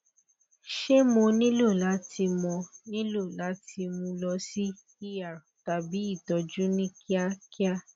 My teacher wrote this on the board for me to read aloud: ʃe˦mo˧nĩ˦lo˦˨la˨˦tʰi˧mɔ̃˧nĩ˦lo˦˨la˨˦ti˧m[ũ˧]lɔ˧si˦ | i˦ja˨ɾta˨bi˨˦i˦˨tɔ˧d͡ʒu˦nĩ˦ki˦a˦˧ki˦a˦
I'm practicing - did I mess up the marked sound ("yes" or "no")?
no